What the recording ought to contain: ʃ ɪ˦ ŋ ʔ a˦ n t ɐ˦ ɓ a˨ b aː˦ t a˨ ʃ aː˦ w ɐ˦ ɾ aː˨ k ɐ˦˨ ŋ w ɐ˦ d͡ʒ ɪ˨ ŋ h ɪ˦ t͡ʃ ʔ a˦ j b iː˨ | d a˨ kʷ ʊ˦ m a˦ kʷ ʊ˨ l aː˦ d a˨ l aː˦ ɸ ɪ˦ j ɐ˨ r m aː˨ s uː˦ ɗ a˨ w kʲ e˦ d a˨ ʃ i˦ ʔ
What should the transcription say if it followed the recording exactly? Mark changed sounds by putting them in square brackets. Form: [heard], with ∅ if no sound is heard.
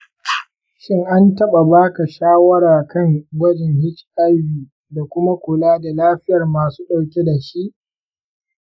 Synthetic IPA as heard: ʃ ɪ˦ ŋ ʔ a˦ n t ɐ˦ ɓ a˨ b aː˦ [k] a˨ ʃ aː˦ w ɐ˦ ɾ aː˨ k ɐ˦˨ ŋ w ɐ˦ d͡ʒ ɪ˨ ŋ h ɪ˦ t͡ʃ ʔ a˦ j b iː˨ | d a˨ kʷ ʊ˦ m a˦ kʷ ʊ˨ l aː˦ d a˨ l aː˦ ɸ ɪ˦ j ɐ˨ r m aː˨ s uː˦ ɗ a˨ w kʲ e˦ d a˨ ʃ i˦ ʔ